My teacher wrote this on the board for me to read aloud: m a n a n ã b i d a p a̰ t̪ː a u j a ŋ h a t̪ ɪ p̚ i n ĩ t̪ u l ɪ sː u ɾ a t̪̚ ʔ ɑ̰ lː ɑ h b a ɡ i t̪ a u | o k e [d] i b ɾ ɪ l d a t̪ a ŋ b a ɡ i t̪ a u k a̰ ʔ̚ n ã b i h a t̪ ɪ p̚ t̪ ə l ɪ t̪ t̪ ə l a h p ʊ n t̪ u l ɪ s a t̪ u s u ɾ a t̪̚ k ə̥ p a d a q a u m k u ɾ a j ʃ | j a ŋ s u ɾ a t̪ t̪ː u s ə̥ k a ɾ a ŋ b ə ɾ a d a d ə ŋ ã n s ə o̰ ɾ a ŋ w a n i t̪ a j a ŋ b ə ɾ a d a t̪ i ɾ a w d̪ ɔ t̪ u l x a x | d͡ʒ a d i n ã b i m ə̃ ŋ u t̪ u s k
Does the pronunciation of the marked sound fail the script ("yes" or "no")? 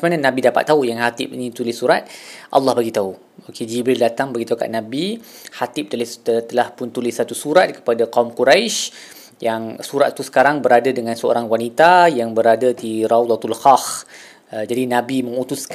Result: yes